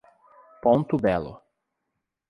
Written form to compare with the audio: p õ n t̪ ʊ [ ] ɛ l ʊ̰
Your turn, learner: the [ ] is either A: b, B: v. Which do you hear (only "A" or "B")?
A